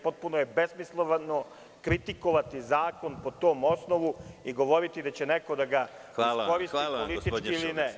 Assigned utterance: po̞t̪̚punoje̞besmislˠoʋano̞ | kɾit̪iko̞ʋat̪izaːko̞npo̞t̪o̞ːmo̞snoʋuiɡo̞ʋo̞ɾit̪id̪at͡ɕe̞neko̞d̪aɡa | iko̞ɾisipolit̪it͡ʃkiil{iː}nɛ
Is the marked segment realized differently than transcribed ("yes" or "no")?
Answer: yes